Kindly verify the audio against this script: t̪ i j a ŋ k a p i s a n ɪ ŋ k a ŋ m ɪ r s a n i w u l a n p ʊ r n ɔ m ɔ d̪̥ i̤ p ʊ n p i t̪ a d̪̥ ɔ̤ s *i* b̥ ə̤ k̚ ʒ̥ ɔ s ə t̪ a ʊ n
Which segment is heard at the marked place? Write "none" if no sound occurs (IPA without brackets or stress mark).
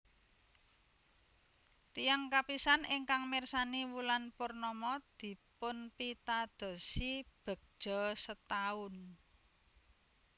i